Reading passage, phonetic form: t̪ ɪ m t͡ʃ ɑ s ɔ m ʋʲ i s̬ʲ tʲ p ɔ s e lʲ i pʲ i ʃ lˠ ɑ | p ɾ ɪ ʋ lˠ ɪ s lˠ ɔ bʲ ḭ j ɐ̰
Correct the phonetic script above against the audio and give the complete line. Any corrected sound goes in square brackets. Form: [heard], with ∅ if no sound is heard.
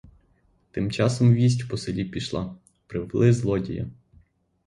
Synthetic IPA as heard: t̪ ɪ m t͡ʃ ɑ s ɔ m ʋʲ i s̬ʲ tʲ p ɔ s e lʲ i pʲ i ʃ lˠ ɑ | p ɾ ɪ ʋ lˠ ɪ [z] lˠ ɔ [dʲ] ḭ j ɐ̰

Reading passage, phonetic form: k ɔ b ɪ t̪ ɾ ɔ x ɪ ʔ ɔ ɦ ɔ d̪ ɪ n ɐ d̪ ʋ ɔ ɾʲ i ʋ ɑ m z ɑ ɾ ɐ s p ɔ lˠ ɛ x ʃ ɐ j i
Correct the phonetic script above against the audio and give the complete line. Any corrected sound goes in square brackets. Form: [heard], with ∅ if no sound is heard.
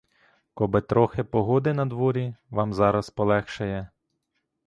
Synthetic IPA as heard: k ɔ b ɪ t̪ ɾ ɔ x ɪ [p] ɔ ɦ ɔ d̪ ɪ n ɐ d̪ ʋ ɔ ɾʲ i ʋ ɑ m z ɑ ɾ ɐ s p ɔ lˠ ɛ x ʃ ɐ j [ɛ]

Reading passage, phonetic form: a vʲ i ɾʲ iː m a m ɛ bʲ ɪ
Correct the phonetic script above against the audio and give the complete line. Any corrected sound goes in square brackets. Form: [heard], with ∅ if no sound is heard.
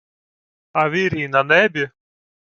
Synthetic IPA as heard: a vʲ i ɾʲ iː [n] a [n] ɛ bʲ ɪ

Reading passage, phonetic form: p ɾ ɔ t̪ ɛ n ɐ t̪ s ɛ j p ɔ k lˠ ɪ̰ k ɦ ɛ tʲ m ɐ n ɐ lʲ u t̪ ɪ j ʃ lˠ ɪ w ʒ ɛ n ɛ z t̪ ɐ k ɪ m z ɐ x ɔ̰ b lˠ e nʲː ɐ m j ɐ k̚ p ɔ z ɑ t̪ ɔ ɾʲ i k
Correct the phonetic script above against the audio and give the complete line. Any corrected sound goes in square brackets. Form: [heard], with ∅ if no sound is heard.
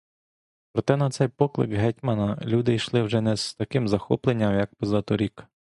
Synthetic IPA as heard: p ɾ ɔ t̪ ɛ n ɐ t̪ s ɛ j p ɔ k lˠ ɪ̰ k ɦ ɛ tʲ m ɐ n ɐ lʲ u [d̪] ɪ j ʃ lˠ ɪ w ʒ ɛ n ɛ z t̪ ɐ k ɪ m z ɐ x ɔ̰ [p] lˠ e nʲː ɐ m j ɐ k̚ p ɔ z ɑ t̪ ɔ ɾʲ i k

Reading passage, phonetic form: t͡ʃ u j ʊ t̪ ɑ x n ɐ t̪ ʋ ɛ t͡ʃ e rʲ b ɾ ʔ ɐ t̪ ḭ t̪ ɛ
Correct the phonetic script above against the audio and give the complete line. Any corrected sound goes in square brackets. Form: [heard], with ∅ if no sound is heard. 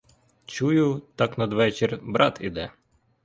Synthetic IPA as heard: t͡ʃ u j ʊ t̪ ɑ [k] n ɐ [d̪] ʋ ɛ t͡ʃ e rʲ b ɾ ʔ [ɑ] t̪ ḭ [d̪] ɛ

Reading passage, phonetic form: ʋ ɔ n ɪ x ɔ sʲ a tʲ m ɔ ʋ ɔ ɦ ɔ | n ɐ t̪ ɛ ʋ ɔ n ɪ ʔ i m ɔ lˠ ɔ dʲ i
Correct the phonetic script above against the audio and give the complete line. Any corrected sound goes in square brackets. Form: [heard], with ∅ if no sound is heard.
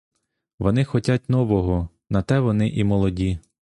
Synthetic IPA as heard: ʋ ɔ n ɪ x ɔ [tʲ] a tʲ [n] ɔ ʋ ɔ ɦ ɔ | n ɐ t̪ ɛ ʋ ɔ n ɪ ʔ i m ɔ lˠ ɔ dʲ i

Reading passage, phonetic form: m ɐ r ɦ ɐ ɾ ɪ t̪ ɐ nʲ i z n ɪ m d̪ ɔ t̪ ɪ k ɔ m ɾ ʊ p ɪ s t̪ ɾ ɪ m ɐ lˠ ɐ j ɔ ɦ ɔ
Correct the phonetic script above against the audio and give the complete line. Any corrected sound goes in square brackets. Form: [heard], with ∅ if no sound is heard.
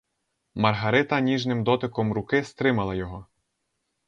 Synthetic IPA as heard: m ɐ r ɦ ɐ ɾ ɪ t̪ ɐ nʲ i [ʒ] n ɪ m d̪ ɔ t̪ ɪ k ɔ m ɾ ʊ [k] ɪ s t̪ ɾ ɪ m ɐ lˠ ɐ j ɔ ɦ ɔ

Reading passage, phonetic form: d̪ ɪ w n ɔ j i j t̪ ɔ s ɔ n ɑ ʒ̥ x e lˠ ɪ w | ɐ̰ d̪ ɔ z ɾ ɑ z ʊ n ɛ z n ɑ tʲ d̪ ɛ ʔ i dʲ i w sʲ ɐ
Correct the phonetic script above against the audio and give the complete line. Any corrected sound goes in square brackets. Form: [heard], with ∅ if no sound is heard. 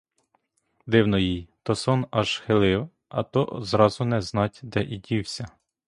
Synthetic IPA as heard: d̪ ɪ w n ɔ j i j t̪ ɔ s ɔ n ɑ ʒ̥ x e lˠ ɪ w | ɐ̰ [t̪] ɔ z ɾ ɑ z ʊ n ɛ z n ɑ tʲ d̪ ɛ ʔ i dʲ i w sʲ ɐ

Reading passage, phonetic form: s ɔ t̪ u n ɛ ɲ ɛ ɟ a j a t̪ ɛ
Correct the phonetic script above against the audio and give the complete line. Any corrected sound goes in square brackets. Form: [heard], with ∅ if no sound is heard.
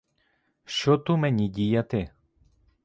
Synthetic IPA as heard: [ʃ] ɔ t̪ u [m] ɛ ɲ [i] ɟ [i] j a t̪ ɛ

